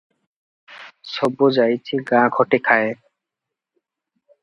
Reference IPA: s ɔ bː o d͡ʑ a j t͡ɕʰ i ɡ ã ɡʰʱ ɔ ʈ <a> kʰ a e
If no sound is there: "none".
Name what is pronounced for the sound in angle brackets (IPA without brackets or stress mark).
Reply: e